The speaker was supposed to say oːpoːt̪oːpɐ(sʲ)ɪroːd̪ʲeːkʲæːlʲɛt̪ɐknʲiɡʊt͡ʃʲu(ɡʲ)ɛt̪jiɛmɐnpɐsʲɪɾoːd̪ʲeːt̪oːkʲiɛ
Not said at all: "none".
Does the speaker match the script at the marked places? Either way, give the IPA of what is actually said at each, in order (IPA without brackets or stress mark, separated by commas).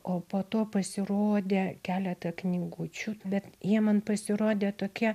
sʲ, bʲ